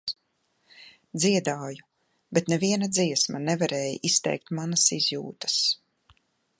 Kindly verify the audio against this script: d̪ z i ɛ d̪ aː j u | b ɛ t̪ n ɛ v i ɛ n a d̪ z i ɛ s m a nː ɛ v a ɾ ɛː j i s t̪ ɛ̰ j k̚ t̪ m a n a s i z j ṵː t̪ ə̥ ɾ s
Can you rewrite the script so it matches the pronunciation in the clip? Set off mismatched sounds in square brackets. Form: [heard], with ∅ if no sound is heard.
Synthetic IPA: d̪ z i ɛ d̪ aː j u | b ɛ t̪ n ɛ v i ɛ n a d̪ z i ɛ s m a [n] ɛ v a ɾ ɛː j i s t̪ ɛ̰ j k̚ t̪ m a n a s i z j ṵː t̪ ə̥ [∅] s